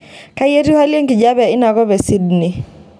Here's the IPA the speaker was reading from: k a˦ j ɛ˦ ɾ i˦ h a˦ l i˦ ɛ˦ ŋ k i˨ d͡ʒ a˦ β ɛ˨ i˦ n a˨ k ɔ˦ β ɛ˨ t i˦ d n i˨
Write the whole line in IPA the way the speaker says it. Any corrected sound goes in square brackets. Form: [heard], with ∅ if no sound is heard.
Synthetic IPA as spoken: k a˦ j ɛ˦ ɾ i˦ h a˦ l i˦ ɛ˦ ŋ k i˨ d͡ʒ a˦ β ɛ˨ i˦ n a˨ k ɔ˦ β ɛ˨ [s] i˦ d n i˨